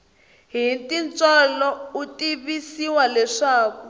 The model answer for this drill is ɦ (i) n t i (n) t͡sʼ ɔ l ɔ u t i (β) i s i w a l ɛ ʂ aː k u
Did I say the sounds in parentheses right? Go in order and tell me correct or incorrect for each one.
correct, correct, correct

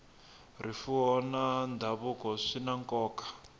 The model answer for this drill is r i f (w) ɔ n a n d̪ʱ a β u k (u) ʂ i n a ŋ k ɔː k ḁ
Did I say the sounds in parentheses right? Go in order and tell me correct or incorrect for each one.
incorrect, incorrect

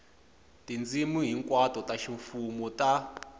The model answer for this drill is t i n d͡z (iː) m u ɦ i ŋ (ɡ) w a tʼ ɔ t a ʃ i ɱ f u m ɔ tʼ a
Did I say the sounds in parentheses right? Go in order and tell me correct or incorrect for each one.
incorrect, incorrect

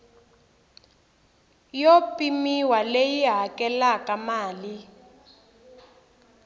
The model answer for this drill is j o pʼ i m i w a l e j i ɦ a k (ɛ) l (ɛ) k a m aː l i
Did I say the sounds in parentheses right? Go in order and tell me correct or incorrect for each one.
correct, incorrect

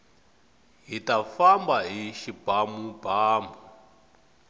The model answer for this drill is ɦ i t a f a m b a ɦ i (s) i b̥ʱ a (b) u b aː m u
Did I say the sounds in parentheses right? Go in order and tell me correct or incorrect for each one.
incorrect, incorrect

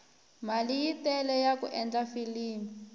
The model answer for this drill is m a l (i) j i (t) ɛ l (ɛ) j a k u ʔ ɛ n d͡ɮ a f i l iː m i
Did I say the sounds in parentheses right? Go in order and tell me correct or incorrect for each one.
correct, correct, correct

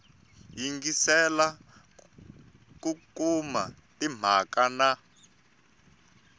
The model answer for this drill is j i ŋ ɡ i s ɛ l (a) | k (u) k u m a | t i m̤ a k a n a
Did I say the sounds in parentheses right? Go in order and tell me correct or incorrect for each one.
correct, correct

